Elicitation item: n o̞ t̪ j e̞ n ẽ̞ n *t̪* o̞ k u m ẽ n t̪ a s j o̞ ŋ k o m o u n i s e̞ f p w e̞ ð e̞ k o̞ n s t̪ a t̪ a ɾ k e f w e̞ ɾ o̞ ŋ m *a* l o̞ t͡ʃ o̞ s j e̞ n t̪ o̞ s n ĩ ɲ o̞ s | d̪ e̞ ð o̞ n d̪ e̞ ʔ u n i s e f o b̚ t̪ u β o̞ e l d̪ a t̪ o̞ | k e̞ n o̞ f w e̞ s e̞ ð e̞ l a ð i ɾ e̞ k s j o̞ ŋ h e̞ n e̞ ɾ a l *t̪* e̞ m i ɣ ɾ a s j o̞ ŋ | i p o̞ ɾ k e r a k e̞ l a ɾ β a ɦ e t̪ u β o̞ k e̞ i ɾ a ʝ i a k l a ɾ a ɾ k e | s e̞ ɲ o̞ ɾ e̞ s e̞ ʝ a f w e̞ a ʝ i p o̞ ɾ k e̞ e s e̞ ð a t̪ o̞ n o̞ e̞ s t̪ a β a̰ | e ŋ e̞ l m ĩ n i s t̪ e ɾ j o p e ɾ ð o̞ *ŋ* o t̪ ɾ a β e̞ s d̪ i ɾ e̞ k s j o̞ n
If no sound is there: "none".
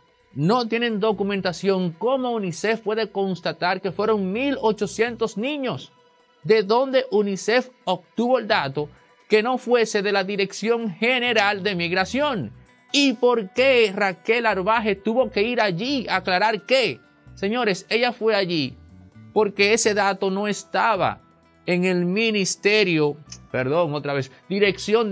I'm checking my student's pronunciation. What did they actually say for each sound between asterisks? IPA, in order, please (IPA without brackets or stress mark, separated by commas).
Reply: d̪, i, d̪, ŋ